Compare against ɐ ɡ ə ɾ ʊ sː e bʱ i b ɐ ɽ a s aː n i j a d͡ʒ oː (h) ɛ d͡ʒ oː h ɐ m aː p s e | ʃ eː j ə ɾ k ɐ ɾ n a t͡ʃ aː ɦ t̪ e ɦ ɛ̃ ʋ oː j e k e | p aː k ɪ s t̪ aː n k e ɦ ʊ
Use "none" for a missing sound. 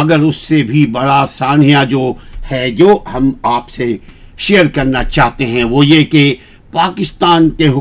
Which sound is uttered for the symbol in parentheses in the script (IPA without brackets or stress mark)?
h